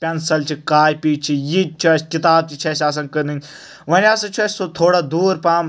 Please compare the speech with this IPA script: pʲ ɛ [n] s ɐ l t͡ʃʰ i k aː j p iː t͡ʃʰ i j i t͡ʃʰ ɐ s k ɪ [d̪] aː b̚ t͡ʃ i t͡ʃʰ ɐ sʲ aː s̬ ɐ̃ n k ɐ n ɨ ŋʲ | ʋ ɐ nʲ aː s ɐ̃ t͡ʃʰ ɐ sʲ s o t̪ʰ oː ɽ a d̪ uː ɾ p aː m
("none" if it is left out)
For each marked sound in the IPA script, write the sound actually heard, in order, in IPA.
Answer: n, t̪

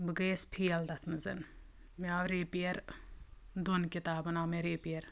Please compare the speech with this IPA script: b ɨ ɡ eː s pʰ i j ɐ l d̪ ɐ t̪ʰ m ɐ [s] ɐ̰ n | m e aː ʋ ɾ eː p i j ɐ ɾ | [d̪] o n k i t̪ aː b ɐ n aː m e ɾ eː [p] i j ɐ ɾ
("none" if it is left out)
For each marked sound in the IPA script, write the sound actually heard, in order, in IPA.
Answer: z, d̪, p

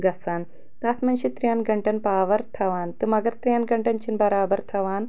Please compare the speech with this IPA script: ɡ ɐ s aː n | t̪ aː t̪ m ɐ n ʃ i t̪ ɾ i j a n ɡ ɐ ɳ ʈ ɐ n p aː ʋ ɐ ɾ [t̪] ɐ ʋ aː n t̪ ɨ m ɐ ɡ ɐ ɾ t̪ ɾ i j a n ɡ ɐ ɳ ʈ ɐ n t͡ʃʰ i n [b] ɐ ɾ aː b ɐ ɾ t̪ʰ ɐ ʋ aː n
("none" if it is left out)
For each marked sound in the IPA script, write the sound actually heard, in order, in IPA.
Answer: t̪ʰ, b

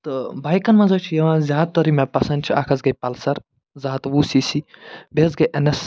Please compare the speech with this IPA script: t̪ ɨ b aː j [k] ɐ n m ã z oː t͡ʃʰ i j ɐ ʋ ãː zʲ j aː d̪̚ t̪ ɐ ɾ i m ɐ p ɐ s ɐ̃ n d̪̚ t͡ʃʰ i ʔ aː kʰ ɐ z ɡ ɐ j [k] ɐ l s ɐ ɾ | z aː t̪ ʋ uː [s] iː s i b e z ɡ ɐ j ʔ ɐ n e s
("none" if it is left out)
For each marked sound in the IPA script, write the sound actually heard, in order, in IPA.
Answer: k, p, s

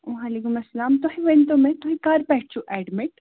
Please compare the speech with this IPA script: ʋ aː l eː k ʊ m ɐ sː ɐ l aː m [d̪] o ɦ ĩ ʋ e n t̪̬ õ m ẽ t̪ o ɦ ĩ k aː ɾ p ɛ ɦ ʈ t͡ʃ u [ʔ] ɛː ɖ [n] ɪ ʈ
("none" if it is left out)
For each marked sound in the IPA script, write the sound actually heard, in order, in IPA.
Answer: t̪, ʔ, m

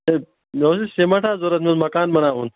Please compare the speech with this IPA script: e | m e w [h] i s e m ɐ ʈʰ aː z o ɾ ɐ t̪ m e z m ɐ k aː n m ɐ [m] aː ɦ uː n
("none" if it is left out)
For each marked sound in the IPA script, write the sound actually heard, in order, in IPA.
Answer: s, n

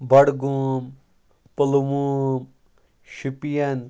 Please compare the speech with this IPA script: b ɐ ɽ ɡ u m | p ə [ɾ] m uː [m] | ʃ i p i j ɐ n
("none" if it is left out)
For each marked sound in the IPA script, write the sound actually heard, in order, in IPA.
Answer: l, m

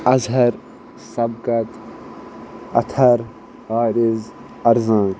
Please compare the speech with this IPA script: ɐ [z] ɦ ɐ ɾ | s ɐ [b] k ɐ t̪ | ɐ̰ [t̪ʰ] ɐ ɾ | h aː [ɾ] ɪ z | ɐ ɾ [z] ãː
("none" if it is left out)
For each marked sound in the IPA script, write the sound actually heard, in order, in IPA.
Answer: z, b, t̪ʰ, ɾ, z

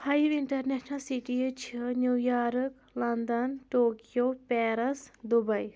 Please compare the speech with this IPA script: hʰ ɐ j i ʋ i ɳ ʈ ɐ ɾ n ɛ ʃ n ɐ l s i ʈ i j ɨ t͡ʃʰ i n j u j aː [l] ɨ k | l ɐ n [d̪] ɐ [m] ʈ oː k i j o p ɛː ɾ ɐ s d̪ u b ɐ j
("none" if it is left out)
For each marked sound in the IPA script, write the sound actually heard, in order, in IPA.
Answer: ɾ, d̪, n

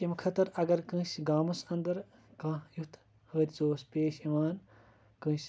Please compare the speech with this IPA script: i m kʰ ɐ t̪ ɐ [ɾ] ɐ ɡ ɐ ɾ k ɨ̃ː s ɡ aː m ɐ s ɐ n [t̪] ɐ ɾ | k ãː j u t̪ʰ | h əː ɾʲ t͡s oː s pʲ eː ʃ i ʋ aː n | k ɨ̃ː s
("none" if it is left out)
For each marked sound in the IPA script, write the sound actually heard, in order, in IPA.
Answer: ɾ, d̪

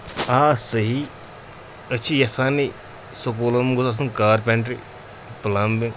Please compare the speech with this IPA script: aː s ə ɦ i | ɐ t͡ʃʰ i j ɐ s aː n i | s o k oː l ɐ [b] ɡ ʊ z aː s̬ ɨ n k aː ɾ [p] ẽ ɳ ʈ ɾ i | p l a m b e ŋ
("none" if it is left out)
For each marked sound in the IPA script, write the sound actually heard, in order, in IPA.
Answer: m, p

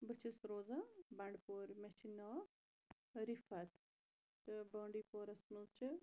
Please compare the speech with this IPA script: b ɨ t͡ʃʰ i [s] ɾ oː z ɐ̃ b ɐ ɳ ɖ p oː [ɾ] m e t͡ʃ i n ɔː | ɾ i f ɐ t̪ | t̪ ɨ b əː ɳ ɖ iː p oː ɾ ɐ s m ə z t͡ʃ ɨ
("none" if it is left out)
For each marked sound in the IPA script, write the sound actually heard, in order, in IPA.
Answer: s, ɾ

